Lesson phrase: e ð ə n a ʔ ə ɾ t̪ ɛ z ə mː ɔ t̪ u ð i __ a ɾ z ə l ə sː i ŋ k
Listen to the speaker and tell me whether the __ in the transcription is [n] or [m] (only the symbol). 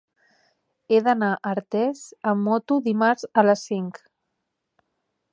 m